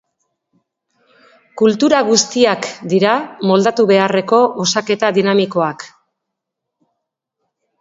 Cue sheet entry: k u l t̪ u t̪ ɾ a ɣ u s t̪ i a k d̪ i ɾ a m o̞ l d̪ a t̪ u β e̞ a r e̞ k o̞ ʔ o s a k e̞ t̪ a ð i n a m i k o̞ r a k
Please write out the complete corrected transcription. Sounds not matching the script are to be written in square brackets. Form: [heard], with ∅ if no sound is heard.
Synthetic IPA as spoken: k u l t̪ u [∅] ɾ a ɣ u s t̪ i a k d̪ i ɾ a m o̞ l d̪ a t̪ u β e̞ a r e̞ k o̞ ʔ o s a k e̞ t̪ a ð i n a m i k o̞ [∅] a k